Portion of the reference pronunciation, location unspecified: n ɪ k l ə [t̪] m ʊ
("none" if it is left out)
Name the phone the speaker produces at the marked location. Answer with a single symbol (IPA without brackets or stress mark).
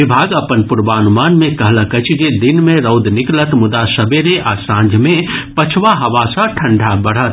t̪